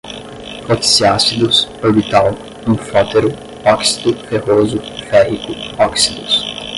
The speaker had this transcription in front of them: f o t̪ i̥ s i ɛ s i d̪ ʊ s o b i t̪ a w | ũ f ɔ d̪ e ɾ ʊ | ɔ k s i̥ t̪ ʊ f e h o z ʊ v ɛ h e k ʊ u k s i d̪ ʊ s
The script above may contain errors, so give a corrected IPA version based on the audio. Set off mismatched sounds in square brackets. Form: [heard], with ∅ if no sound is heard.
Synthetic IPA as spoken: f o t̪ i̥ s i [a] s i d̪ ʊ s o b i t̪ a w | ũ f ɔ [t̪] e ɾ ʊ | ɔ k s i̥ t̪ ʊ f e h o z ʊ [f] ɛ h [i] k ʊ [ɔ] k s i d̪ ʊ s